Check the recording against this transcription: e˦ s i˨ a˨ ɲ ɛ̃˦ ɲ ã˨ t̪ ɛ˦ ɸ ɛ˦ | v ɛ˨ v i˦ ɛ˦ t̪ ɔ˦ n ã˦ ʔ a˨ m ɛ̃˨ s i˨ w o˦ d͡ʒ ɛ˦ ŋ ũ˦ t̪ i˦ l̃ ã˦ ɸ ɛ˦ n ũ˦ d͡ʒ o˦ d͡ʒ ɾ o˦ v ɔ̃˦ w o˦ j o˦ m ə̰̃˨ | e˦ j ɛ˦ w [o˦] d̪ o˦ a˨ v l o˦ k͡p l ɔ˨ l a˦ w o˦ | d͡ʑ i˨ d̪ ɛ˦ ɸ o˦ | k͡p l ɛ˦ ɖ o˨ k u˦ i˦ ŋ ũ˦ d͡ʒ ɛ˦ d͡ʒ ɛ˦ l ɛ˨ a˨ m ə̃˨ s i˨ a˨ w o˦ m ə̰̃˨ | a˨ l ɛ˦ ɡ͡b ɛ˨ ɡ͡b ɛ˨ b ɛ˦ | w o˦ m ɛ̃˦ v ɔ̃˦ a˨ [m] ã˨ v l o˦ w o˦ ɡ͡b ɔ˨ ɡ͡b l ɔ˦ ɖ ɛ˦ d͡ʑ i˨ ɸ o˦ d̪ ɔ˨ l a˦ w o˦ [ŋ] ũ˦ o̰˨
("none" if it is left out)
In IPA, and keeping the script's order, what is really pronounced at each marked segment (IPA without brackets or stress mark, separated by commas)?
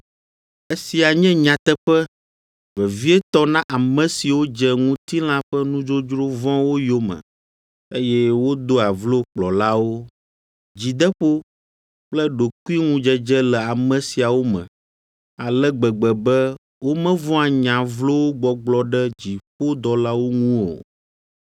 o˦, ɲ, ŋ